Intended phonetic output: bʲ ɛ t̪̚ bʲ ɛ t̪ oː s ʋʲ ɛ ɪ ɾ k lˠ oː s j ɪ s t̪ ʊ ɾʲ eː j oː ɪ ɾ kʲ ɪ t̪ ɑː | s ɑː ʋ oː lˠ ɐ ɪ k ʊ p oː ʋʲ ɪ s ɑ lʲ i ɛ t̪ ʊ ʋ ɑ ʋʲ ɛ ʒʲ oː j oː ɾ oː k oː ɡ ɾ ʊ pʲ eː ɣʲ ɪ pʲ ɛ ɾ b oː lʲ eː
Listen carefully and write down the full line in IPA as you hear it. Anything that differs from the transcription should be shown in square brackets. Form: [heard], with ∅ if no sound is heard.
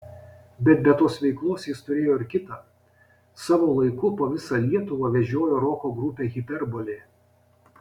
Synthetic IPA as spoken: bʲ ɛ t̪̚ bʲ ɛ t̪ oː s ʋʲ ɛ ɪ [∅] k lˠ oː s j ɪ s t̪ ʊ ɾʲ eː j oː ɪ ɾ kʲ ɪ t̪ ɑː | s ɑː ʋ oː lˠ ɐ ɪ k ʊ p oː ʋʲ ɪ s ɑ lʲ i ɛ t̪ ʊ ʋ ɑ ʋʲ ɛ ʒʲ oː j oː ɾ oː k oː ɡ ɾ ʊ pʲ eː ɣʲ ɪ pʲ ɛ ɾ b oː lʲ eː